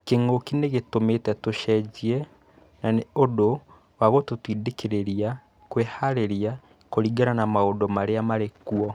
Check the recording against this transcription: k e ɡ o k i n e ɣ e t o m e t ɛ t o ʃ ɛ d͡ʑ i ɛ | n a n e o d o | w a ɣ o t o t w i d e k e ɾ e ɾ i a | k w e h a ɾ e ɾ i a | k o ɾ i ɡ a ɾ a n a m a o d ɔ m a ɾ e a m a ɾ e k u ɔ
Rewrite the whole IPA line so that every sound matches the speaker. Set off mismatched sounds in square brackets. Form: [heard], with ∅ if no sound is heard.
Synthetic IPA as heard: k e [ŋ] o k i n e ɣ e t o m e t ɛ t o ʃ ɛ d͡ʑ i ɛ | n a n e o d o | w a ɣ o t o t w i d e k e ɾ e ɾ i a | k w e h a ɾ e ɾ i a | k o ɾ i ɡ a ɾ a n a m a o d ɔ m a ɾ e a m a ɾ e k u ɔ